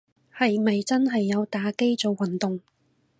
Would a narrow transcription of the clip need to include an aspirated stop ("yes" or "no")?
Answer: no